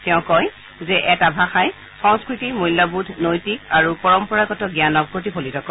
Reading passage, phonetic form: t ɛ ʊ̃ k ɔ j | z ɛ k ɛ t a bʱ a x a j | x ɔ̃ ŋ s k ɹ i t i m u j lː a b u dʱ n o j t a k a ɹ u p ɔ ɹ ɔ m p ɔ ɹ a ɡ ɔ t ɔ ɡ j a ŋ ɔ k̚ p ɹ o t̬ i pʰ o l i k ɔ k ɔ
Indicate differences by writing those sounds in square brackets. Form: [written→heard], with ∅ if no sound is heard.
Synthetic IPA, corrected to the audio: t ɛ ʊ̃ k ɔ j | z ɛ [k→ʔ] ɛ t a bʱ a x a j | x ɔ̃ ŋ s k ɹ i t i m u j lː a b u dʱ n o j t [a→i] k a ɹ u p ɔ ɹ ɔ m p ɔ ɹ a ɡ ɔ t ɔ ɡ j a [ŋ→n] ɔ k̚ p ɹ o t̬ i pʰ o l i [k→t] ɔ k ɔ